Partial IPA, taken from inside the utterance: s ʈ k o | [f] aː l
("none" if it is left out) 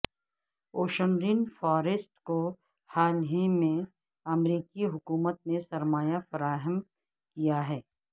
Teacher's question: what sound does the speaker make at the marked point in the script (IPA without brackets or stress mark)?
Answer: h